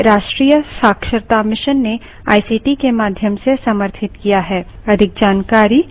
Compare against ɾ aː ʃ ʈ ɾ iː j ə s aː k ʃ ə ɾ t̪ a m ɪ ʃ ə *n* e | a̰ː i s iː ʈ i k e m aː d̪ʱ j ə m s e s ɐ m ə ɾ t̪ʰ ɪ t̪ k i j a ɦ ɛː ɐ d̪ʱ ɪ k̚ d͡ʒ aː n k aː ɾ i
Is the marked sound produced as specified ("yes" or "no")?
no